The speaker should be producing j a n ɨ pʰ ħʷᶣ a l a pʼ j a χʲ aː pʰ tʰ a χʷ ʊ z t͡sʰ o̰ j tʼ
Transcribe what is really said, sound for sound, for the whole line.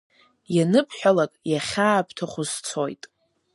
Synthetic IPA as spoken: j a n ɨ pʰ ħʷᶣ a l a kʼ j a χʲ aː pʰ tʰ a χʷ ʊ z t͡sʰ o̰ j tʼ